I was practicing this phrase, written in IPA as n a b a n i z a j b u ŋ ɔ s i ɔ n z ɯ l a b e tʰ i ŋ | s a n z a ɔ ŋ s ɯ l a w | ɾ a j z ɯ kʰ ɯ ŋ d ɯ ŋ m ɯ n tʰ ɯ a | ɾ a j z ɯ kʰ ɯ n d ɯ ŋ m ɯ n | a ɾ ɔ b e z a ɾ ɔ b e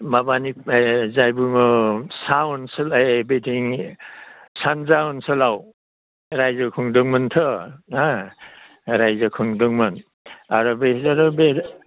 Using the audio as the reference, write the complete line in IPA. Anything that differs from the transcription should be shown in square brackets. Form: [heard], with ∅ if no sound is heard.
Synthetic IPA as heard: [m] a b a n i z a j b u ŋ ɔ s [a] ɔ n [s] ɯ l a b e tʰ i ŋ | s a n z a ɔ [n] s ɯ l a w | ɾ a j z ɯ kʰ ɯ ŋ d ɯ ŋ m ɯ n tʰ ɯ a | ɾ a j z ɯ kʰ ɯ [ŋ] d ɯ ŋ m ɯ n | a ɾ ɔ b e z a ɾ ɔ b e

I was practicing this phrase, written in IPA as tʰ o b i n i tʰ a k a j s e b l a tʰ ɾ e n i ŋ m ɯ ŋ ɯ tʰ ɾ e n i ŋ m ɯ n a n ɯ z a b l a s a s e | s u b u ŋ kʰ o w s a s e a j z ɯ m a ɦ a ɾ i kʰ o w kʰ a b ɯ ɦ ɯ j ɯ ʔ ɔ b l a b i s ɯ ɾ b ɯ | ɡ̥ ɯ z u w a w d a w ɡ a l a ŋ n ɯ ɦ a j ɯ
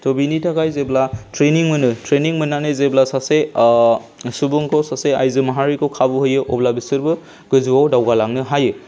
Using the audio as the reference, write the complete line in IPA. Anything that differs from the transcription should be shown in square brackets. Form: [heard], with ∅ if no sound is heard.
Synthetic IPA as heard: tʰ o b i n i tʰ a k a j [z] e b l a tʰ ɾ e n i ŋ m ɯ [n] ɯ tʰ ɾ e n i ŋ m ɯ n a n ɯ z [e] b l a s a s e | s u b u ŋ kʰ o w s a s e a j z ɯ m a ɦ a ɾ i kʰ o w kʰ a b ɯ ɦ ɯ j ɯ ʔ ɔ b l a b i s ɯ ɾ b ɯ | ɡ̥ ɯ z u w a w d a w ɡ a l a ŋ n ɯ ɦ a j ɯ

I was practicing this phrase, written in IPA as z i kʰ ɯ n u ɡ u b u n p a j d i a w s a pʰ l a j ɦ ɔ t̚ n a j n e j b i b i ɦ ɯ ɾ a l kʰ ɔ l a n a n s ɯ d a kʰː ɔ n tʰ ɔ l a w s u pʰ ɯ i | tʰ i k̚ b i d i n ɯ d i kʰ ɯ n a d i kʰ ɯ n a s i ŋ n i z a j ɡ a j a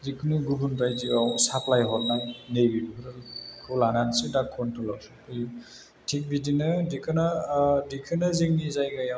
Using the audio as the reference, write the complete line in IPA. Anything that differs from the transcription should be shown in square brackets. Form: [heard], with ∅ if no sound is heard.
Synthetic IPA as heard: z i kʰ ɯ n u ɡ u b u n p a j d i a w s a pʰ l a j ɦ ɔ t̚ n a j n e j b i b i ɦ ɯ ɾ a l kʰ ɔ l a n a n s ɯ d a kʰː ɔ n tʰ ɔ l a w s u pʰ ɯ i | tʰ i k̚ b i d i n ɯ d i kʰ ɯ n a d i kʰ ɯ n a [z] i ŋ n i z a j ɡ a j a

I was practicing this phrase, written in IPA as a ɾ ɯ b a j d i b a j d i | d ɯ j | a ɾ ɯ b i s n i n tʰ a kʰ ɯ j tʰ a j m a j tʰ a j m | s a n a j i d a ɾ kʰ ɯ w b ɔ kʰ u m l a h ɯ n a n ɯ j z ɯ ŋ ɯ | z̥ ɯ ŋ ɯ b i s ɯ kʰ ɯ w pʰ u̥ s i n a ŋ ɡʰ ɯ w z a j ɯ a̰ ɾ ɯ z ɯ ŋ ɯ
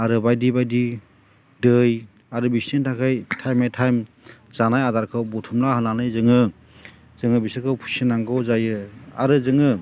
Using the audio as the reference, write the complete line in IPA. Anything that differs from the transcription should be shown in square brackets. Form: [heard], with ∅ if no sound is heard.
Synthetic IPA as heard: a ɾ ɯ b a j d i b a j d i | d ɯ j | a ɾ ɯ b i s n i n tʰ a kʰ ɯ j tʰ a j m a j tʰ a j m | [z] a n a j [a] d a ɾ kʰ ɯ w b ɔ [tʰ] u m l a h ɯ n a n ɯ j z ɯ ŋ ɯ | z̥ ɯ ŋ ɯ b i s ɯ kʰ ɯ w pʰ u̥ s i n a ŋ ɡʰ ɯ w z a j ɯ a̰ ɾ ɯ z ɯ ŋ ɯ

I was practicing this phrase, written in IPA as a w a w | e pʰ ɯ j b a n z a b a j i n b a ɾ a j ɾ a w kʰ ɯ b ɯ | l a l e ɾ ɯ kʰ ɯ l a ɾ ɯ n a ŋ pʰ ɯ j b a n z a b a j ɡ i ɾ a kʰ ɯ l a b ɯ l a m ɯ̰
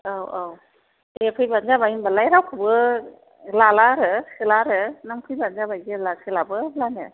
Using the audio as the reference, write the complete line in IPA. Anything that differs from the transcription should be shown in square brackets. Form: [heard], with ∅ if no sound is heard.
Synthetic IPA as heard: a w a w | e pʰ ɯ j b a n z a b a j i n b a [l] a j ɾ a w kʰ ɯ b ɯ | l a l [a] ɾ ɯ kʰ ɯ l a ɾ ɯ n a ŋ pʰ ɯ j b a n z a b a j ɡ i [l] a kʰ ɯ l a b ɯ l a [n] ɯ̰

